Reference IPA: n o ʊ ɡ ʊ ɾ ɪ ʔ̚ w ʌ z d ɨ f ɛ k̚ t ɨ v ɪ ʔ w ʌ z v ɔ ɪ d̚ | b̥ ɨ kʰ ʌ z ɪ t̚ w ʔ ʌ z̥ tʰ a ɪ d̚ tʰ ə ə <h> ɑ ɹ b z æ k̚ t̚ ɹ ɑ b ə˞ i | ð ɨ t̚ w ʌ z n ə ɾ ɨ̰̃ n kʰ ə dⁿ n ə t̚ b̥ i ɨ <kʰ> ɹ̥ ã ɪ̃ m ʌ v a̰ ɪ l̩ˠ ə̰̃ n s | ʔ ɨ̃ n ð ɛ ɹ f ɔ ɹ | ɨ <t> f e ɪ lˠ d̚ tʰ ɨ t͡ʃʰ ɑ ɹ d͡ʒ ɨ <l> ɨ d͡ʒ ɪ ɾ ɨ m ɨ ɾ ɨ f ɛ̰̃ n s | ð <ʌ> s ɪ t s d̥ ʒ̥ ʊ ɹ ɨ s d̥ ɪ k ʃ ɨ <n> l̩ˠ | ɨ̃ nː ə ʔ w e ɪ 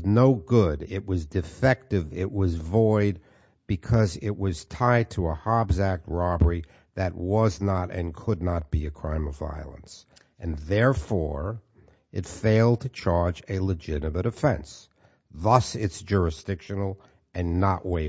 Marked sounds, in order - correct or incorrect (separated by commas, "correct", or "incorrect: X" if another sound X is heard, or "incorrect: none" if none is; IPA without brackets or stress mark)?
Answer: correct, correct, correct, correct, correct, correct